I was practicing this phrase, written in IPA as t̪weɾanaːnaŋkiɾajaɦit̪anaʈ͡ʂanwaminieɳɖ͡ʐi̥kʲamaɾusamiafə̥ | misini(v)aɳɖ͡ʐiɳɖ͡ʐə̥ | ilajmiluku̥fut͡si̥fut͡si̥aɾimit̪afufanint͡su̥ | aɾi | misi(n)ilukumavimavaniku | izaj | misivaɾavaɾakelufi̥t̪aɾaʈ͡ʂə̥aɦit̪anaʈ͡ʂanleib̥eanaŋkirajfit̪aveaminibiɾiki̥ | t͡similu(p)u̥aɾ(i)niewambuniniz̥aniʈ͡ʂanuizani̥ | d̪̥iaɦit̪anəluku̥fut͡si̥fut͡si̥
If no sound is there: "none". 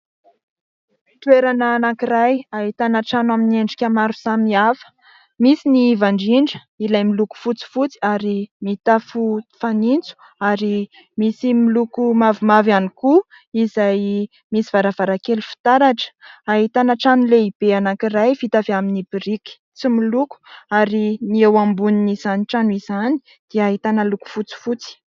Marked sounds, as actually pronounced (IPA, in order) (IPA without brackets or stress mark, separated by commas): v, m, k, i